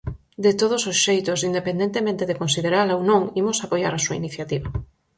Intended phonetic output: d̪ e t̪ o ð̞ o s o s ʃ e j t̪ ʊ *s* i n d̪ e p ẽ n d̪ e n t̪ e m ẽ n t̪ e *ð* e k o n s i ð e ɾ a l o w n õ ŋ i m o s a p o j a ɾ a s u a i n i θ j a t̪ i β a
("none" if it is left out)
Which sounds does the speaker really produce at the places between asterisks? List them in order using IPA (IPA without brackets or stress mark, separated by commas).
s, ð